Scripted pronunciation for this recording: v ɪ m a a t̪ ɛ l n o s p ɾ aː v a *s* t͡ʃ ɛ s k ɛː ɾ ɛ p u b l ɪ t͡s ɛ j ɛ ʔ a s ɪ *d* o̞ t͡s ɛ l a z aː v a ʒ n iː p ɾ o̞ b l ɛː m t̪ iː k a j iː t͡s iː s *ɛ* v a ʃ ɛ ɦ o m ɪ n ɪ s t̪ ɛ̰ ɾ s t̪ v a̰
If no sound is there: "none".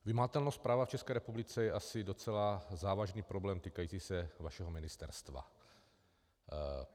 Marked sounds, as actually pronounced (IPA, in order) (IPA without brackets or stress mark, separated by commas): f, d, ɛ